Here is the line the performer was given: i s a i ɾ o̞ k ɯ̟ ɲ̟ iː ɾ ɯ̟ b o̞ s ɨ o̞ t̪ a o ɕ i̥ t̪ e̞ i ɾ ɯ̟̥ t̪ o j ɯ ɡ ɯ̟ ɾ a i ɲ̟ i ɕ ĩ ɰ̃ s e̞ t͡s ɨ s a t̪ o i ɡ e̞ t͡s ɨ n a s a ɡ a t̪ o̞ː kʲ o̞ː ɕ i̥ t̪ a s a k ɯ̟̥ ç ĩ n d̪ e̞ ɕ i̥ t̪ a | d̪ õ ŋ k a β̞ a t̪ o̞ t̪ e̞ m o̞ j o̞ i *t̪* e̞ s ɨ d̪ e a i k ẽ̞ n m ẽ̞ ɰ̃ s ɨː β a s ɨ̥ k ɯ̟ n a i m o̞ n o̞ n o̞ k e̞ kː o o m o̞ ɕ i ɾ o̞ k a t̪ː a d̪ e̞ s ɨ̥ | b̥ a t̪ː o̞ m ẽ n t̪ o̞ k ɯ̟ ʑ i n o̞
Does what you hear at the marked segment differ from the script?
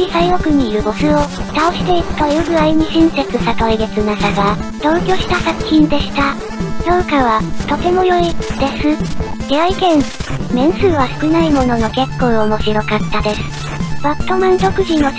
yes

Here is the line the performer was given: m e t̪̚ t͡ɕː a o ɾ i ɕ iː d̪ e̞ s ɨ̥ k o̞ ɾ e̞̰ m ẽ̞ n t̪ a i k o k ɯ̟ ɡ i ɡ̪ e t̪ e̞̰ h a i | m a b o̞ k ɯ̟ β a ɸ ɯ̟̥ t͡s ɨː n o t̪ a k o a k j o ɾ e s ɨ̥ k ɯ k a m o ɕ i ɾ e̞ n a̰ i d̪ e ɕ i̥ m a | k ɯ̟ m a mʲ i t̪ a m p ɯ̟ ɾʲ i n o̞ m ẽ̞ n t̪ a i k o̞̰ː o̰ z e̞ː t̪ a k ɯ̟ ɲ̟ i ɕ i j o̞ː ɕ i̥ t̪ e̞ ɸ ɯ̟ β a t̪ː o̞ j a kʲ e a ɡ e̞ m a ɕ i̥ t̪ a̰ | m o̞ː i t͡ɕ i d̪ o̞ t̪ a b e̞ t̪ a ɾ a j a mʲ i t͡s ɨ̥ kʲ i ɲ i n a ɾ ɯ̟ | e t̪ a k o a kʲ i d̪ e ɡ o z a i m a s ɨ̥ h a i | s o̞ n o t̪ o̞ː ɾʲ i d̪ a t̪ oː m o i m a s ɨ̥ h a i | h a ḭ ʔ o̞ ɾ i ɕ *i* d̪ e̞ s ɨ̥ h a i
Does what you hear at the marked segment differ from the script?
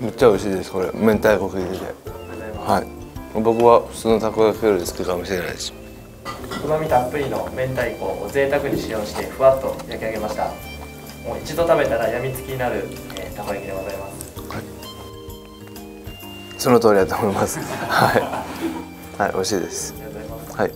yes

